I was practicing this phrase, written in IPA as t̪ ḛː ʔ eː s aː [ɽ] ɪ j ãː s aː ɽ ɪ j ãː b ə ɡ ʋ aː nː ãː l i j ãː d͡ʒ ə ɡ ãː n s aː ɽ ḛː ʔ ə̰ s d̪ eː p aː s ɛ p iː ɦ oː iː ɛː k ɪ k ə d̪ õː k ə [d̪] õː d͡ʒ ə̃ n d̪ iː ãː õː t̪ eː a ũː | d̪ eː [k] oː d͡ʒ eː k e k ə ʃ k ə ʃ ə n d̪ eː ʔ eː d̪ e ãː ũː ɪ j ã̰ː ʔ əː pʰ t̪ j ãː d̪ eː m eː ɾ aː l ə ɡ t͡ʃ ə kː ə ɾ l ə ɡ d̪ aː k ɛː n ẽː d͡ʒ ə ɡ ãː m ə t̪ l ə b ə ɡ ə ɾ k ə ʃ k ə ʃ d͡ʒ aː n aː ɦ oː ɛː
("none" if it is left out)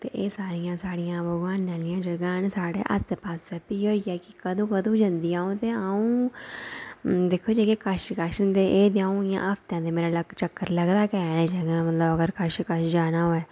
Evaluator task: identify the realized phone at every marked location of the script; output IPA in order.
ɾ, d̪, kʰ

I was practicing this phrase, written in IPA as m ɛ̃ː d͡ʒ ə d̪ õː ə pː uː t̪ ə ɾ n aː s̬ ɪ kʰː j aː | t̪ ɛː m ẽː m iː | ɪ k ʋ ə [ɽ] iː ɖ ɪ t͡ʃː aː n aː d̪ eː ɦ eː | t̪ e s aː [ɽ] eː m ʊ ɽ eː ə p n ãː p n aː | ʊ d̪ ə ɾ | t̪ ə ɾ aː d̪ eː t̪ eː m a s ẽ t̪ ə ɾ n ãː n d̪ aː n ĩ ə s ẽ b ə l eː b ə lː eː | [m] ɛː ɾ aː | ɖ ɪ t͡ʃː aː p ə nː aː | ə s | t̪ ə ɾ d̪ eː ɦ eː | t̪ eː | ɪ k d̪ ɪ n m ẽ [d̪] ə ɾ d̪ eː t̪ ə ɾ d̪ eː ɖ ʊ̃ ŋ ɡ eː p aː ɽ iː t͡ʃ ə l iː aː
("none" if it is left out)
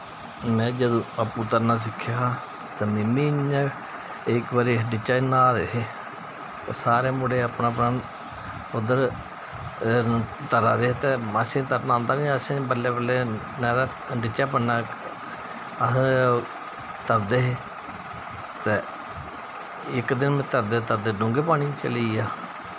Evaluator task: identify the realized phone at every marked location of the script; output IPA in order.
ɾ, ɾ, n, t̪

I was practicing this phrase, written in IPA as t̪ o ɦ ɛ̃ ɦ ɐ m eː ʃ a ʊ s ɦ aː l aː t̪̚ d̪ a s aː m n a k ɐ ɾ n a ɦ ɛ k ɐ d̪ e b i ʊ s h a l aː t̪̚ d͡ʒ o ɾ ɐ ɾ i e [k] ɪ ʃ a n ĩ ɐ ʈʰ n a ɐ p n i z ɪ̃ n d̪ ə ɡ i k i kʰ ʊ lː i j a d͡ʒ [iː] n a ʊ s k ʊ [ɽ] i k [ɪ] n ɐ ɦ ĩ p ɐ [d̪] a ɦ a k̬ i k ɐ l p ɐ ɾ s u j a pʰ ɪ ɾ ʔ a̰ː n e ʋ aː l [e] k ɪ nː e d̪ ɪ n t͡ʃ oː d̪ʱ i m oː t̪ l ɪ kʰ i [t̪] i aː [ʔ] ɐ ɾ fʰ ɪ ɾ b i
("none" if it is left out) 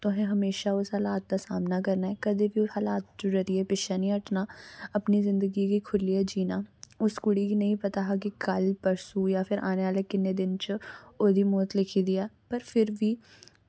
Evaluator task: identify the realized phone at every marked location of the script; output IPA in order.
p, iː, ɽ, i, t̪, e, d̪, p

